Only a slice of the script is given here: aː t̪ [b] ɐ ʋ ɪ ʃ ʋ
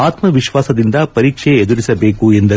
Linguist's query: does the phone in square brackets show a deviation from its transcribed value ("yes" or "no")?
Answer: yes